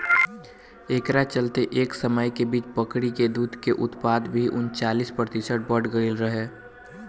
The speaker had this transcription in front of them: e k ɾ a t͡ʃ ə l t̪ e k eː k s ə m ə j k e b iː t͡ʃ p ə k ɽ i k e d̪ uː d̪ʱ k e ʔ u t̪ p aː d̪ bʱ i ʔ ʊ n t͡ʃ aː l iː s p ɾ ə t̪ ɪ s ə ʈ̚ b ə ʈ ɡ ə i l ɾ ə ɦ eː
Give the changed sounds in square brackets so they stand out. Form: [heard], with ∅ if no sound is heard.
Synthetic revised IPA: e k ɾ a t͡ʃ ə l t̪ e [ʔ] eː k s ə m ə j k e b iː t͡ʃ p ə k ɽ i k e d̪ uː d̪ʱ k e ʔ [ʊ] t̪ p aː d̪ bʱ i ʔ ʊ n t͡ʃ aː l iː s p ɾ ə t̪ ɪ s ə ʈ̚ b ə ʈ ɡ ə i l ɾ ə ɦ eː